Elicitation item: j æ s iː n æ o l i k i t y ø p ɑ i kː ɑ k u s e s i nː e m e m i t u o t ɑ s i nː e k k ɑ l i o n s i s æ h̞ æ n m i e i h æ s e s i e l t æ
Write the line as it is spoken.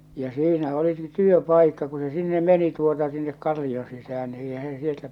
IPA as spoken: j æ s iː n æ o l i k i t y ø p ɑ i kː ɑ k u s e s i nː e m e n i t u o t ɑ s i nː e k k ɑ lː i o n s i s æ h̞ æ n n i e i h æ s e s i e l t æ